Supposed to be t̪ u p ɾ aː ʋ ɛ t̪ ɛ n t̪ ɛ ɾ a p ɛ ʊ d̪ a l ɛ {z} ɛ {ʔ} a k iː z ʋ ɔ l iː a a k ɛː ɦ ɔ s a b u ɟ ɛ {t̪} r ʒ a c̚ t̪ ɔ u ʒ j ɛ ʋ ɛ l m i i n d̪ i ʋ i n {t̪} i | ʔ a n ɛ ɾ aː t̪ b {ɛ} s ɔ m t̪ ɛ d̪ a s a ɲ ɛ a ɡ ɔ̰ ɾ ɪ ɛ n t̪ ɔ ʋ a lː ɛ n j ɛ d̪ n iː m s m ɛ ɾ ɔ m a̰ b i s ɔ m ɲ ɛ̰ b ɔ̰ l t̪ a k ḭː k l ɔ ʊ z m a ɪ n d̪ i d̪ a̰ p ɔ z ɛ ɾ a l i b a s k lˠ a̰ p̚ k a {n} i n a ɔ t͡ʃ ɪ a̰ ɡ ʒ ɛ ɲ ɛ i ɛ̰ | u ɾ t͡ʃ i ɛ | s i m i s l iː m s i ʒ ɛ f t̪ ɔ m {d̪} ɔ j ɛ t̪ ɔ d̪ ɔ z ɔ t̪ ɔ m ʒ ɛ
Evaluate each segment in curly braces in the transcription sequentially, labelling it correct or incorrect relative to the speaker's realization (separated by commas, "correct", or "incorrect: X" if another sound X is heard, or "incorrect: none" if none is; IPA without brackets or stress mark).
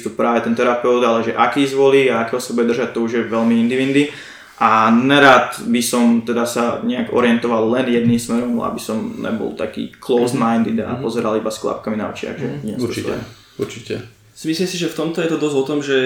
incorrect: ʒ, correct, incorrect: d̪, incorrect: d̪, incorrect: i, incorrect: m, incorrect: t̪